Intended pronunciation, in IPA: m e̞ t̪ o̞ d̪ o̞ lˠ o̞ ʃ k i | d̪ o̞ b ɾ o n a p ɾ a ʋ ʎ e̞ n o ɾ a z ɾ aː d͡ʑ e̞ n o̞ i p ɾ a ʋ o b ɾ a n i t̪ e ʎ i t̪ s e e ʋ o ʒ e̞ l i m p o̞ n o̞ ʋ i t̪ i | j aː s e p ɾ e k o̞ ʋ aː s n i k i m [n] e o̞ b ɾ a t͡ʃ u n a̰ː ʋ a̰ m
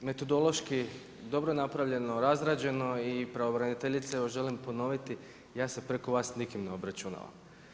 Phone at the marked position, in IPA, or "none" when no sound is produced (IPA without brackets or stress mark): n